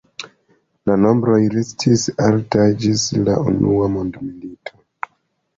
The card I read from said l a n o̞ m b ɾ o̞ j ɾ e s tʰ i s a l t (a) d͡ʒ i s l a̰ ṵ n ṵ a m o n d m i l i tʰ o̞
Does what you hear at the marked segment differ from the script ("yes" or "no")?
no